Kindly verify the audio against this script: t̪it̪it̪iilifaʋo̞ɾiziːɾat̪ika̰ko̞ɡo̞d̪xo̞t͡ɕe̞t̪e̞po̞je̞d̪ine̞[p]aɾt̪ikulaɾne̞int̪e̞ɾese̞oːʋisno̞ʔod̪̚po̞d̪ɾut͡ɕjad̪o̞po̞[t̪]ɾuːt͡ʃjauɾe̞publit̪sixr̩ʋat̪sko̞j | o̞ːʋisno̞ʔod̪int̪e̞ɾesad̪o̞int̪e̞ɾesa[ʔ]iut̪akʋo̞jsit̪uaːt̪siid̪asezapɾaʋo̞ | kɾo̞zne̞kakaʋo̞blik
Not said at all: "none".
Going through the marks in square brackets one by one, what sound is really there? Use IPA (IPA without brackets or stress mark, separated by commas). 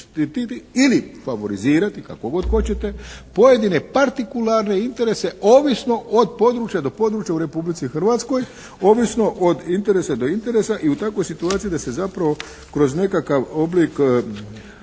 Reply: p, d̪, ʔ